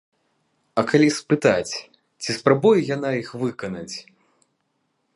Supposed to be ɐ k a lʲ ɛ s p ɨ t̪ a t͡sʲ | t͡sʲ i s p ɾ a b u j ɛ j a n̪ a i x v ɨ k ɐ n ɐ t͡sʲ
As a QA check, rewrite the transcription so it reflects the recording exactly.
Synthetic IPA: ɐ k a lʲ i s p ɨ t̪ a t͡sʲ | t͡sʲ i s p ɾ a b u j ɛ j a n̪ a i x v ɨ k ɐ n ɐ t͡sʲ